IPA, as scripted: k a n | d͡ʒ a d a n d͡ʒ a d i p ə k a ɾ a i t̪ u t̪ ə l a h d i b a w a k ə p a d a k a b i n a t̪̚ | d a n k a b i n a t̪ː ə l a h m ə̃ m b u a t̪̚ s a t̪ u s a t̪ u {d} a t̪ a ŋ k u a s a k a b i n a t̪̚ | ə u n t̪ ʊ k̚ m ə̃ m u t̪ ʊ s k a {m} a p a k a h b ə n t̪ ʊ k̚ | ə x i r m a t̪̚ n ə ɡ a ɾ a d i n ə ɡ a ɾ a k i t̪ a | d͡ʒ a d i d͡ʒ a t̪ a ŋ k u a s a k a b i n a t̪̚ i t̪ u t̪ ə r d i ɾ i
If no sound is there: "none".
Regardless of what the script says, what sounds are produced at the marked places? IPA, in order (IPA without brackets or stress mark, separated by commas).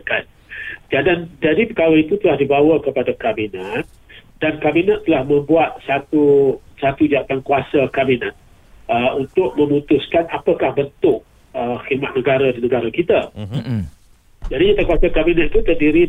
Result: d͡ʒ, n